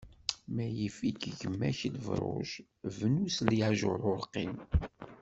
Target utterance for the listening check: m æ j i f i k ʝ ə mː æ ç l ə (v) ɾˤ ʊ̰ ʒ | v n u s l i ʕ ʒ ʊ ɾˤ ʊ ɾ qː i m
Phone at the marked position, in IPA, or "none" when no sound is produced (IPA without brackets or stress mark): v